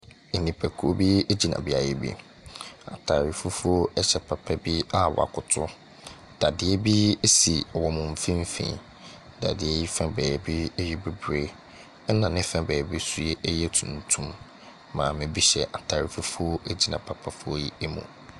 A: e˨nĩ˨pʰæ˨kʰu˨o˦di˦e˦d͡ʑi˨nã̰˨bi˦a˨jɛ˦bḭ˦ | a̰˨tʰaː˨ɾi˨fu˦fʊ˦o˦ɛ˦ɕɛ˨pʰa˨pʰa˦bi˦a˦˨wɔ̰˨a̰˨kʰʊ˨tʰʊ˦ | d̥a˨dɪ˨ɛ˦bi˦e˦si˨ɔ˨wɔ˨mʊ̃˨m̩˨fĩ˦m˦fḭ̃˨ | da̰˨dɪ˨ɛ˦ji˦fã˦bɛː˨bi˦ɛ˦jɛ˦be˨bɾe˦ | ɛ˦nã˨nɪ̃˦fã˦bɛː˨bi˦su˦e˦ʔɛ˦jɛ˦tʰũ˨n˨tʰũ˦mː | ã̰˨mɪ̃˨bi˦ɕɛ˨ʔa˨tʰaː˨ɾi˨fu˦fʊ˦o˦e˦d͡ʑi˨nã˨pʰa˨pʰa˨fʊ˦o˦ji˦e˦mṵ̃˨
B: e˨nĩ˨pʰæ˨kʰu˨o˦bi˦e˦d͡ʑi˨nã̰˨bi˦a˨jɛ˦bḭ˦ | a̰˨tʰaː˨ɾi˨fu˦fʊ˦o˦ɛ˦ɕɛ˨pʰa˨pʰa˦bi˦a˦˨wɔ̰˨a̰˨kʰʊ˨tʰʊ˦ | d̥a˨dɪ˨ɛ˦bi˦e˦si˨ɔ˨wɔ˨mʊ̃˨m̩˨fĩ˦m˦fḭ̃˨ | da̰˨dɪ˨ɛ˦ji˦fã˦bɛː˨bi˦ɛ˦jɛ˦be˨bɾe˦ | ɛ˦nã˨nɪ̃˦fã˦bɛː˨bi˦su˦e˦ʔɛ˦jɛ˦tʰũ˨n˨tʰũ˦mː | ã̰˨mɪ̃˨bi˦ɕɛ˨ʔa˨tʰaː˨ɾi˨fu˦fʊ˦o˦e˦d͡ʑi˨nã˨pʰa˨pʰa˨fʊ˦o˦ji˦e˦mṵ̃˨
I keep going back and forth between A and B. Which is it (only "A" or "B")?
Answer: B